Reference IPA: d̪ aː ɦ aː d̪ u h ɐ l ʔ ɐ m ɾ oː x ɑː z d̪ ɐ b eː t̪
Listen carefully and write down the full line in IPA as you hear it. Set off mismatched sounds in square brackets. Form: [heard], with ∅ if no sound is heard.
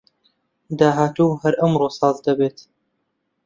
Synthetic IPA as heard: d̪ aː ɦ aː [t̪] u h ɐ [ɾ] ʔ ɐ m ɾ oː [s] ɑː z d̪ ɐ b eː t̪

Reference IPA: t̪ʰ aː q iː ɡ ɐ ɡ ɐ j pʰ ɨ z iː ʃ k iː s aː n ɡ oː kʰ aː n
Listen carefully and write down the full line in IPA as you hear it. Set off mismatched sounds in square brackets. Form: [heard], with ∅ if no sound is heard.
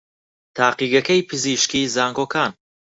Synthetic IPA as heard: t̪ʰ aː q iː ɡ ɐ [k] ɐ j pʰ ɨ z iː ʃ k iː [z] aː [ŋ] ɡ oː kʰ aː n

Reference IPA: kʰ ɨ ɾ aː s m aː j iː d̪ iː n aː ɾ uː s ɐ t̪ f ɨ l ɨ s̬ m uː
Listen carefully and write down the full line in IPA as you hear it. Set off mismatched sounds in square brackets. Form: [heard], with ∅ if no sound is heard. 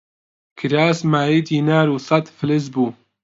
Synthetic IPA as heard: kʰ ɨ ɾ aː s m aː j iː d̪ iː n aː ɾ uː s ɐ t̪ f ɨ l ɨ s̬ [b] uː

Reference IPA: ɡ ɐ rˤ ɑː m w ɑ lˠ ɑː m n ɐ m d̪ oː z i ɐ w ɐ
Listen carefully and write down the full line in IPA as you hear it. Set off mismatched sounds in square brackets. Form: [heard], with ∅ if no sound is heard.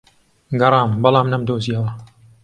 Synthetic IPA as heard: ɡ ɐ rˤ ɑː m [b] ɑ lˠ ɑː m n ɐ m d̪ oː z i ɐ w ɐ

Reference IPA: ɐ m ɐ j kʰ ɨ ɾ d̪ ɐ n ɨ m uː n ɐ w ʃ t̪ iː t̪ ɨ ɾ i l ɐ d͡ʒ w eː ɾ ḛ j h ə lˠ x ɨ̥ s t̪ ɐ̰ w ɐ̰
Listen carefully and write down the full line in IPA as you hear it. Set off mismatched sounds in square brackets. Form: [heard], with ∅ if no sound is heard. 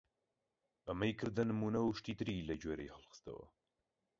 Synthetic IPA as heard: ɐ m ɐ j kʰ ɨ ɾ d̪ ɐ n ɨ m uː n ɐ w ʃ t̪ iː t̪ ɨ ɾ i l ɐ d͡ʒ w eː ɾ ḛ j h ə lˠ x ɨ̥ s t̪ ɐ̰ w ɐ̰

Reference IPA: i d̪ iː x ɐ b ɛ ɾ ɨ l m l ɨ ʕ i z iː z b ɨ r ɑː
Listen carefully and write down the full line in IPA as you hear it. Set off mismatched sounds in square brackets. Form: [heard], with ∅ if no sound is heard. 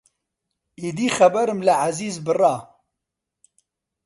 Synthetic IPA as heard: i d̪ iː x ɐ b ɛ ɾ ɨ [∅] m l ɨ ʕ [a] z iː z b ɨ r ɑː

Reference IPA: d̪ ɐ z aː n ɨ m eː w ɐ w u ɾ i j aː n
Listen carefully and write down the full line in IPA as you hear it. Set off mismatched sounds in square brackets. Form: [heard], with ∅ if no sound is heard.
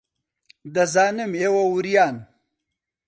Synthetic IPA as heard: d̪ ɐ z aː n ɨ m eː w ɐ w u ɾ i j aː n

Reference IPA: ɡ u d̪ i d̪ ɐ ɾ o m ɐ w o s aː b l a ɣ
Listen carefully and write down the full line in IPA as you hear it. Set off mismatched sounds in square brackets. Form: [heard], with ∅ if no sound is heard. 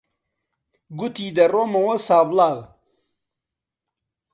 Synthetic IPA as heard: ɡ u [t̪] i d̪ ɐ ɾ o m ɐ w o s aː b l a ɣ

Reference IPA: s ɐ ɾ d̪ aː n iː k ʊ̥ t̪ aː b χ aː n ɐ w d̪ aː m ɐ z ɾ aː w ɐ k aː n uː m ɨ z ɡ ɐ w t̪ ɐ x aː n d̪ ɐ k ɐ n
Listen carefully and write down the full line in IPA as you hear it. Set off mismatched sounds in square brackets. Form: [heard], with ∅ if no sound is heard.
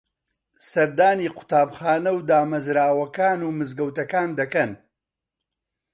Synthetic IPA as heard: s ɐ ɾ d̪ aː n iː [q] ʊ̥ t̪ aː b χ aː n ɐ w d̪ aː m ɐ z ɾ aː w ɐ k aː n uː m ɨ z ɡ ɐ w t̪ ɐ [k] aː n d̪ ɐ k ɐ n

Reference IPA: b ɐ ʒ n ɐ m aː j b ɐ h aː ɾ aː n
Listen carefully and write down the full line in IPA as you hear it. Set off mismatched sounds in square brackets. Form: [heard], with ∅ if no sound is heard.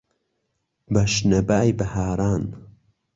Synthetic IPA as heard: b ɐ [ʃ] n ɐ [b] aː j b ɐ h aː ɾ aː n

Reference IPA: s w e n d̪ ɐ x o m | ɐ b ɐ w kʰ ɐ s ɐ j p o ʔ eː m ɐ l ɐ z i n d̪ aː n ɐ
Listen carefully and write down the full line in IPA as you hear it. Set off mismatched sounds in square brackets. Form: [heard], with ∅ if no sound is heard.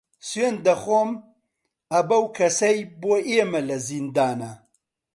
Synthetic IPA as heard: s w e n d̪ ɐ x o m | ɐ b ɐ w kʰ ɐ s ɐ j [b] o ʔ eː m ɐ l ɐ z i n d̪ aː n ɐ

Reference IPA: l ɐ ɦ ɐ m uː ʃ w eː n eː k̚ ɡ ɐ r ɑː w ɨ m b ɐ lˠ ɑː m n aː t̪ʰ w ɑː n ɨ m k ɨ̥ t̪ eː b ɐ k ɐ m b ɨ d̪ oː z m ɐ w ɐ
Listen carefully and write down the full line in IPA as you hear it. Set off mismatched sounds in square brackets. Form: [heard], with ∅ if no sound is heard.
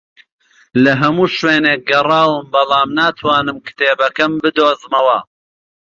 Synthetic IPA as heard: l ɐ ɦ ɐ m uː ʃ w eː n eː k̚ ɡ ɐ r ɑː w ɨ m b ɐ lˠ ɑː m n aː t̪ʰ w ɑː n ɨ m k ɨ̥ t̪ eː b ɐ k ɐ m b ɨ d̪ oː z m ɐ w ɐ

